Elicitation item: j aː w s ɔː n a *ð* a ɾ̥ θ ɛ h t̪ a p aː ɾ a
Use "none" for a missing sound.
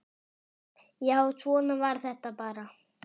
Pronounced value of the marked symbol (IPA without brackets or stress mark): v